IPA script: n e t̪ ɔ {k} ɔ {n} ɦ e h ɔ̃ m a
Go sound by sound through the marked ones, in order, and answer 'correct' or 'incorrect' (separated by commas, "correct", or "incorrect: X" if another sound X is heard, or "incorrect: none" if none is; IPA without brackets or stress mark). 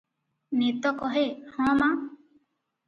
correct, incorrect: none